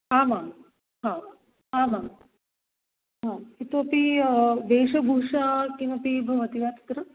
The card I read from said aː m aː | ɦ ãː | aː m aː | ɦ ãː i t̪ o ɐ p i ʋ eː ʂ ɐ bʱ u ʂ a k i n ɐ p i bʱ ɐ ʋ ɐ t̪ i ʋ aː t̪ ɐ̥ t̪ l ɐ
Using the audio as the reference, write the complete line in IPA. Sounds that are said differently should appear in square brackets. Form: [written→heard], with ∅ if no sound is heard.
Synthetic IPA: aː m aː | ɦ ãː | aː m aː | ɦ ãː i t̪ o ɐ p i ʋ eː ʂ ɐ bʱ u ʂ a k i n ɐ p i bʱ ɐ ʋ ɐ t̪ i ʋ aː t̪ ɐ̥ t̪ [l→ɾ] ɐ